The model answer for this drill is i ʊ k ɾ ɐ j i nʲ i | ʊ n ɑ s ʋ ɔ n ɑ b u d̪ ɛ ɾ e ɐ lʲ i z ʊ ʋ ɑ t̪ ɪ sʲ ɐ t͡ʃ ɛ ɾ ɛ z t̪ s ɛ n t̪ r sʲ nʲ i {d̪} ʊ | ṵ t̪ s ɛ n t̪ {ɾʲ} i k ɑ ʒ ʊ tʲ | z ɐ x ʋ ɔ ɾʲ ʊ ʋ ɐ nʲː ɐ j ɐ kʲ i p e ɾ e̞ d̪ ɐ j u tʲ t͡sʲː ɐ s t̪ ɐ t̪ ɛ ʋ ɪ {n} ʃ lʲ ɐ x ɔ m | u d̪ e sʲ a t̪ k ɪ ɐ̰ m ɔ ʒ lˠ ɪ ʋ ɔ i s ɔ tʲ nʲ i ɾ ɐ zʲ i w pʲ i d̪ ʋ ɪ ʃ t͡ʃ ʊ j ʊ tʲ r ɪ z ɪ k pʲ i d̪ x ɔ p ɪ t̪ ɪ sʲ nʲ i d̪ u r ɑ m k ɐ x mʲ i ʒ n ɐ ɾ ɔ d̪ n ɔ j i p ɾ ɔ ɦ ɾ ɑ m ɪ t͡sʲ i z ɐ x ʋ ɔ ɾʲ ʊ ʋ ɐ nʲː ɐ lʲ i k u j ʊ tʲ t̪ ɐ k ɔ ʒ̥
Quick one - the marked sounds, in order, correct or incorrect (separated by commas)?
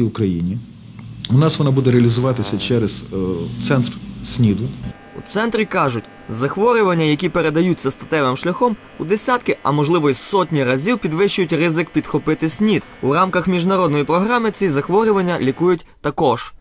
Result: correct, correct, incorrect